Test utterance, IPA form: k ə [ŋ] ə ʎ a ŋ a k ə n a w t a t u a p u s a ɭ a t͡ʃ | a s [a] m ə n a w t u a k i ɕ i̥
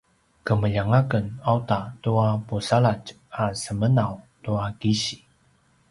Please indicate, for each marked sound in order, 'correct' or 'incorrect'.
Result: incorrect, incorrect

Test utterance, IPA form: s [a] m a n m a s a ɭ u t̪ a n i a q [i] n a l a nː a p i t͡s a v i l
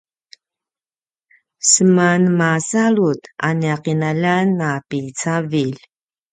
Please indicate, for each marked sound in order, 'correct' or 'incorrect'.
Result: incorrect, correct

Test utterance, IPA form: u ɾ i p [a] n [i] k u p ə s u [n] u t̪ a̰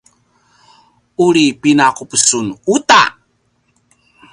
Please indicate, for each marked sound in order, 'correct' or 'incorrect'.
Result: incorrect, incorrect, correct

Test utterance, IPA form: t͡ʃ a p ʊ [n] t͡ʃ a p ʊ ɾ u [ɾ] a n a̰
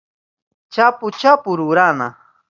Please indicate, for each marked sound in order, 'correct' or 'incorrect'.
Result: incorrect, correct

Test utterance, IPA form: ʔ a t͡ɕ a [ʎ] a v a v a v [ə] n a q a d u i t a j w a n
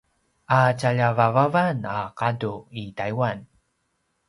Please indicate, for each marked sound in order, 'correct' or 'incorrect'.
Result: correct, incorrect

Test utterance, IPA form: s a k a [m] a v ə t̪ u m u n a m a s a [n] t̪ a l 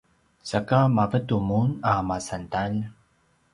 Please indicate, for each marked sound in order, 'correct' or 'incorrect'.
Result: correct, correct

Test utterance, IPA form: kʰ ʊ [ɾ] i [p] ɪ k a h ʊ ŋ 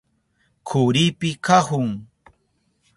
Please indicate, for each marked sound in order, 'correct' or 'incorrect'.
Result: correct, correct

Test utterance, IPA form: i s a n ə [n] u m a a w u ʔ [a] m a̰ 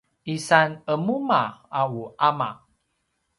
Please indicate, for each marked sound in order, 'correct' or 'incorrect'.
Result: incorrect, correct

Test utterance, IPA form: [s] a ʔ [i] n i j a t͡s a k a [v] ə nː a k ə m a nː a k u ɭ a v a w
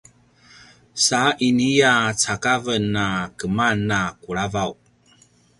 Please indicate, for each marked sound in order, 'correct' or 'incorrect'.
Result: correct, correct, correct

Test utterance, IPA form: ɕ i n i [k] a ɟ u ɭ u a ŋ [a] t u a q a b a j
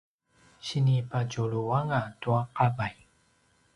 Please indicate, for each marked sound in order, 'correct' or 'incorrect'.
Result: incorrect, correct

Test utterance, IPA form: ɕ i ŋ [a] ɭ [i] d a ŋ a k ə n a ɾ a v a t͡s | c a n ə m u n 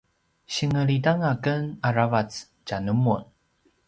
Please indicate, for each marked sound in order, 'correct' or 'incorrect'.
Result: incorrect, correct

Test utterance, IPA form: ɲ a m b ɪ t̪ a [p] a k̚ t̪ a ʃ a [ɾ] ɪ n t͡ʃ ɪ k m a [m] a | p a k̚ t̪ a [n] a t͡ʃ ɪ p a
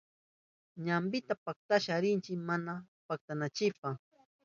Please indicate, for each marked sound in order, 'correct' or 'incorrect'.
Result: correct, correct, incorrect, correct

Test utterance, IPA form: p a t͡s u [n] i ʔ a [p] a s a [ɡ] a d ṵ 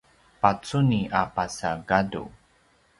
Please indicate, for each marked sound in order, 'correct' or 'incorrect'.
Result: correct, correct, correct

